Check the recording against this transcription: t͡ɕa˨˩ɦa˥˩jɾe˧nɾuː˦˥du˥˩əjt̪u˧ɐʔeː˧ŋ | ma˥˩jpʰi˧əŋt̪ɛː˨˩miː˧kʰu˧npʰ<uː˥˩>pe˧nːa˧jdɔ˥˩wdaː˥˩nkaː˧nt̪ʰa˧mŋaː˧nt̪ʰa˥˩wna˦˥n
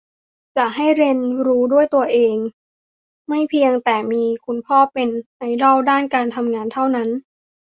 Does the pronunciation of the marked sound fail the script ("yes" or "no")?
yes